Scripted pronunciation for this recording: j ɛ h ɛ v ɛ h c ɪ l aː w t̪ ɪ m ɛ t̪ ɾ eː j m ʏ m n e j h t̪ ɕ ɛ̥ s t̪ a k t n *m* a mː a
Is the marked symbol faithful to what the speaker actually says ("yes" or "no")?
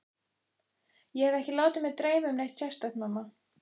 yes